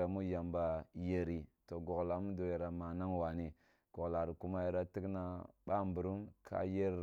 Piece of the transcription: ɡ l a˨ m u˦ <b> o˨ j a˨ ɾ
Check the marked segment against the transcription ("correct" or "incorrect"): incorrect